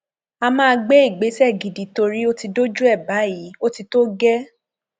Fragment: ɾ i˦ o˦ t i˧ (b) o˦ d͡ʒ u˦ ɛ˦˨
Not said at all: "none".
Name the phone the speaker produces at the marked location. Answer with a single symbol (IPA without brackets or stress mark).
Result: d